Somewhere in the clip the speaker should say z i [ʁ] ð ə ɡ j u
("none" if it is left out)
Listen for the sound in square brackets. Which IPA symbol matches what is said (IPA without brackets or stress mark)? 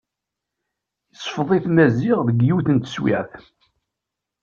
ʁ